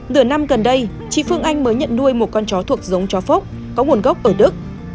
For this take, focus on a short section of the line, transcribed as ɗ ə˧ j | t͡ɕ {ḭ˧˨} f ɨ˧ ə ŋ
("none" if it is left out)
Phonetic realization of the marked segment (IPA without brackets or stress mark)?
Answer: ḭ˧˨